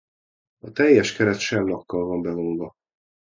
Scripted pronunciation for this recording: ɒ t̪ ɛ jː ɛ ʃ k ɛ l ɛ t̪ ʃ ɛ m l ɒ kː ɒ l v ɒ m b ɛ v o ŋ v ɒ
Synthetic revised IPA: ɒ t̪ ɛ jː ɛ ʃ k ɛ ɾ ɛ t̪ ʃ ɛ m l ɒ kː ɒ l v ɒ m b ɛ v o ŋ v ɒ